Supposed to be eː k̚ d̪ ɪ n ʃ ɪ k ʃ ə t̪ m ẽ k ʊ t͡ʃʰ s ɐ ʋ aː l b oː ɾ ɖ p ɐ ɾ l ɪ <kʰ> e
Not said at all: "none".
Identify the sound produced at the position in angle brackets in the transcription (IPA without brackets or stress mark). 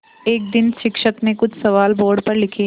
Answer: kʰ